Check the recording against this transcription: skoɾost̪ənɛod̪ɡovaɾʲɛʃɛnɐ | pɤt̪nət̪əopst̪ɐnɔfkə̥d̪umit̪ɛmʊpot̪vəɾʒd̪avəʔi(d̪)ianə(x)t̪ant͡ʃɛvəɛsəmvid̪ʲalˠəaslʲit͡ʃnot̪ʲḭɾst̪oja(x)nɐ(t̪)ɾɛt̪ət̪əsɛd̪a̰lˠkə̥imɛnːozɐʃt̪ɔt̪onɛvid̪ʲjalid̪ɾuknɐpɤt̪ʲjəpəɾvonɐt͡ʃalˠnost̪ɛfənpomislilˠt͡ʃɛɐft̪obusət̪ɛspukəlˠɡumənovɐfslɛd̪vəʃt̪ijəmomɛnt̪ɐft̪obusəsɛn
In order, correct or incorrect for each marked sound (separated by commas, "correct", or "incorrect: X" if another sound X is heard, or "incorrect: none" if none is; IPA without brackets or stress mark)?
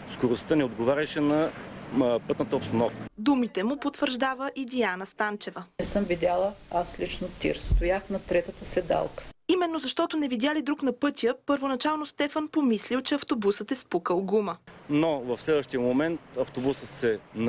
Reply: correct, incorrect: s, correct, correct